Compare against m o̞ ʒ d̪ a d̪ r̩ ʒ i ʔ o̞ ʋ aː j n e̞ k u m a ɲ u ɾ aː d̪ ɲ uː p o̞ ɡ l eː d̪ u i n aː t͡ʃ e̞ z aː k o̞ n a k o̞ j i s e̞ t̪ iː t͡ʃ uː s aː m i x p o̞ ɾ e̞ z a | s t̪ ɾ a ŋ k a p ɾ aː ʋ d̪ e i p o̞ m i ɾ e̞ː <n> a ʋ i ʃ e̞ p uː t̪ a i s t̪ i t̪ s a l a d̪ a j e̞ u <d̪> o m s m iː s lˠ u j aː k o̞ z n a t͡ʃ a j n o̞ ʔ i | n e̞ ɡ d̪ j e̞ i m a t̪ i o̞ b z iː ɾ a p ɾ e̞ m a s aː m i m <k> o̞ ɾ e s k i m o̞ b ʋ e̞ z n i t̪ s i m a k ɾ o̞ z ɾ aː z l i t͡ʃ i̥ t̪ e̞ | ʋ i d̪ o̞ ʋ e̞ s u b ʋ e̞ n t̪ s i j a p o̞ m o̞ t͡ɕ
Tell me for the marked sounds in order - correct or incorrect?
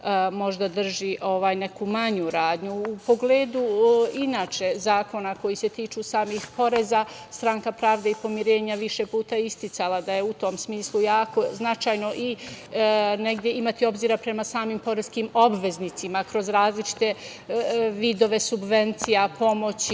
incorrect: ɲ, incorrect: t̪, incorrect: p

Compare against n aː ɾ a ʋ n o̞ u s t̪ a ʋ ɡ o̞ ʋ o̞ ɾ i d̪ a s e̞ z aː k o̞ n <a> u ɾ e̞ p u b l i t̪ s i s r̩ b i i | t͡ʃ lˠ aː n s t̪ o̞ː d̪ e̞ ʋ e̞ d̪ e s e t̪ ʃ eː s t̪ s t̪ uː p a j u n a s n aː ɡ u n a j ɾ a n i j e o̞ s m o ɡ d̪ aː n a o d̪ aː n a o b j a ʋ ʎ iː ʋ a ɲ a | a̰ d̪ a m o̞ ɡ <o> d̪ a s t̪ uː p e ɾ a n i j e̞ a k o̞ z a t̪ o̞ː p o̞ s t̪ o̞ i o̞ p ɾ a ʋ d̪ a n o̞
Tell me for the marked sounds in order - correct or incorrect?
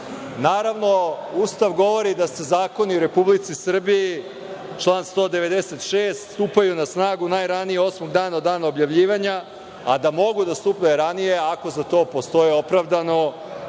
incorrect: i, incorrect: u

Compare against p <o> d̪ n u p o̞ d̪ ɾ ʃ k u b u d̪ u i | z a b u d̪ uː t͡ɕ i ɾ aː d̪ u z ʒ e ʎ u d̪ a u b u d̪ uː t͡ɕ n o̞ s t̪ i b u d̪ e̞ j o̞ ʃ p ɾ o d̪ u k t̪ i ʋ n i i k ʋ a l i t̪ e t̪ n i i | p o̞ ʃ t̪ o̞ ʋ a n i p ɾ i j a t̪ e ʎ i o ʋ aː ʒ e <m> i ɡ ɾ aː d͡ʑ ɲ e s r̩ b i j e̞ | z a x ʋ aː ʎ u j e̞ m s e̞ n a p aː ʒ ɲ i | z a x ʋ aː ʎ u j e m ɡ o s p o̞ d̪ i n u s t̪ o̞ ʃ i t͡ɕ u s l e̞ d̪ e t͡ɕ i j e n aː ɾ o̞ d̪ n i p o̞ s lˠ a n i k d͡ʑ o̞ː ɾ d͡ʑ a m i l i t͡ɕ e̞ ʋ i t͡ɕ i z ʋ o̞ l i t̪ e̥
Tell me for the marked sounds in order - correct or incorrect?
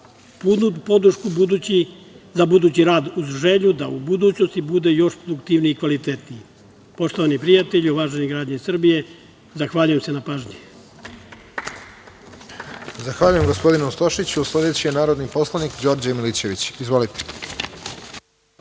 incorrect: u, incorrect: n

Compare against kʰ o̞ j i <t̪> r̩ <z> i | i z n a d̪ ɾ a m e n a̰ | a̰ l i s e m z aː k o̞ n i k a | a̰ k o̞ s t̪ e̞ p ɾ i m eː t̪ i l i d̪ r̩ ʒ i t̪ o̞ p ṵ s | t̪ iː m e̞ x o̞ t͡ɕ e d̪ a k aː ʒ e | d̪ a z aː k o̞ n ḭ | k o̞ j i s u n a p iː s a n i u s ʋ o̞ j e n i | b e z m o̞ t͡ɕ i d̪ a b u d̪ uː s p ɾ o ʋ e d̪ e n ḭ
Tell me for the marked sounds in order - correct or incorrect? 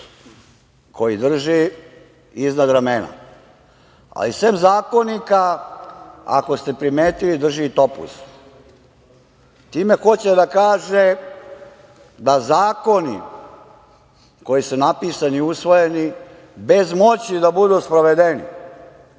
incorrect: d̪, incorrect: ʒ

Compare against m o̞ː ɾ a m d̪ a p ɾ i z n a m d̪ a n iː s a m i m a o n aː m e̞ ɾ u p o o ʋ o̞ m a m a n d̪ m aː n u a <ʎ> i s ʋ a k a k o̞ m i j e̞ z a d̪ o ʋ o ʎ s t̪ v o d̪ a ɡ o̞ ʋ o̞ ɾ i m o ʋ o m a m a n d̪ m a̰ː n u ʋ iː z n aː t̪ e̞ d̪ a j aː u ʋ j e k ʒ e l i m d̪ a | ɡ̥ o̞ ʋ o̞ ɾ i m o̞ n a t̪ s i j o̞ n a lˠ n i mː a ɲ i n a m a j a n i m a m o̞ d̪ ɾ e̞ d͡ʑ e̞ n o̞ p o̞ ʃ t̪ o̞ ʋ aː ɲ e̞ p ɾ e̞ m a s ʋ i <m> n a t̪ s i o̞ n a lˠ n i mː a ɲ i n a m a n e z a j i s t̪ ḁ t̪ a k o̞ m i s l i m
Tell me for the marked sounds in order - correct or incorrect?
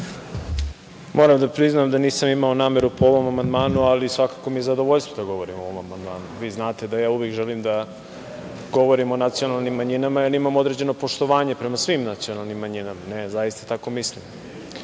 incorrect: l, correct

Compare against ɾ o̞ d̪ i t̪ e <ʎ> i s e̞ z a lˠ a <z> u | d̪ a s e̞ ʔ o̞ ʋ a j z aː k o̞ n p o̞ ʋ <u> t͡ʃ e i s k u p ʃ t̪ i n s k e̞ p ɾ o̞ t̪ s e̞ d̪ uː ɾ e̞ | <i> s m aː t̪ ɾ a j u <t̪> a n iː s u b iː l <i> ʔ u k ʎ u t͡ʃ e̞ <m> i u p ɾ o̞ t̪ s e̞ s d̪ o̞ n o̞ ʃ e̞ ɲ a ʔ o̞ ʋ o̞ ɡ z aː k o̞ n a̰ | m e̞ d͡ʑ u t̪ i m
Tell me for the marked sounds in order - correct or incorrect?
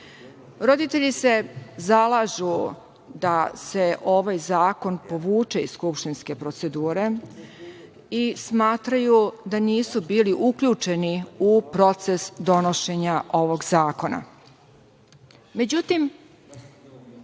correct, incorrect: ʒ, incorrect: uː, correct, incorrect: d̪, correct, incorrect: n

